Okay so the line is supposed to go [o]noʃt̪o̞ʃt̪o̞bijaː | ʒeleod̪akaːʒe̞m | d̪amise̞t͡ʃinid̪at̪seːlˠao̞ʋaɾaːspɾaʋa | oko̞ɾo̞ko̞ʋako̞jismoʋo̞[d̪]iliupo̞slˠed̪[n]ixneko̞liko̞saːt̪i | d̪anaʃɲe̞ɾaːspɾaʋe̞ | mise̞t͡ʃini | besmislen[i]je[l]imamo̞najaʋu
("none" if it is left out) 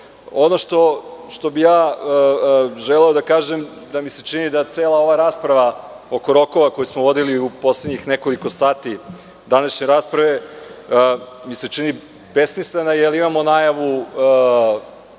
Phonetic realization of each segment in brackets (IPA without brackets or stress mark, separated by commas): o, d̪, ɲ, a, l